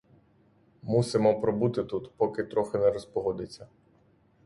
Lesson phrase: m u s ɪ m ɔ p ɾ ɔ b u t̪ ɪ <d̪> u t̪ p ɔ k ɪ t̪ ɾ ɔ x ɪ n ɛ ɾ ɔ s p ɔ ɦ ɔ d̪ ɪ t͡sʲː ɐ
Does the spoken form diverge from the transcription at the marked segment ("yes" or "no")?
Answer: yes